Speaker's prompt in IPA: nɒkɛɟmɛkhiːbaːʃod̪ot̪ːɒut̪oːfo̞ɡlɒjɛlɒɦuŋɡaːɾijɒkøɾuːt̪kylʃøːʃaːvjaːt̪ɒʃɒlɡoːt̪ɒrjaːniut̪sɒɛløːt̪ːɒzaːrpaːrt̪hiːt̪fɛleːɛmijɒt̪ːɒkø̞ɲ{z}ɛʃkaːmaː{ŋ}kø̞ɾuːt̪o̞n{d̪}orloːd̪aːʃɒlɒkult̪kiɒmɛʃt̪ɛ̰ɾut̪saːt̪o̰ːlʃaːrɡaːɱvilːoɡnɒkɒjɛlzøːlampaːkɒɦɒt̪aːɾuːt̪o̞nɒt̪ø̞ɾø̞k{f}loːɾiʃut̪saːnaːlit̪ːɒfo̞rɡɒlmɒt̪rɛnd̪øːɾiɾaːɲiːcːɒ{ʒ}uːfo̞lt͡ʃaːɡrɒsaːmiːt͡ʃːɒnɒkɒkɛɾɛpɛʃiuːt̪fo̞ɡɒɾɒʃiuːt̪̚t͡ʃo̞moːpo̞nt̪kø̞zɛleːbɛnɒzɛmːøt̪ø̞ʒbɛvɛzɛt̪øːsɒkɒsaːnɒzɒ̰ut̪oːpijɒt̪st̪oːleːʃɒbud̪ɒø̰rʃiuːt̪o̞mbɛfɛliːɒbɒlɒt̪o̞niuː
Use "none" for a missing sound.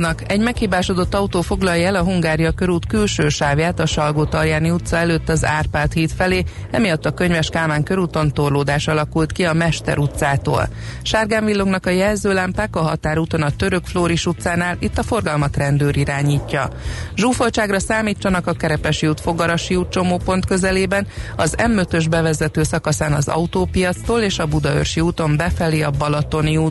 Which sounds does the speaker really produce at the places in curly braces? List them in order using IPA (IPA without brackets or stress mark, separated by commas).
v, ŋ, t̪, f, ʒ